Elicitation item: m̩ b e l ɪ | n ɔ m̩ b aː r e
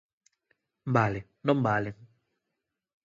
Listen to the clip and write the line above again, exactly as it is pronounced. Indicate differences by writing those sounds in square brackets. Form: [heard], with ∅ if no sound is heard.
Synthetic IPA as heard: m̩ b [a] l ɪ | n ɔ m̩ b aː [l] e